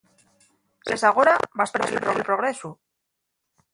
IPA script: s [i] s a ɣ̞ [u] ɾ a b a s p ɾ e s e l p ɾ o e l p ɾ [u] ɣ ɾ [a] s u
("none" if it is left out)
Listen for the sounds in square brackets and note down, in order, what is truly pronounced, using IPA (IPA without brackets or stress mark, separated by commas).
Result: e, o, o, e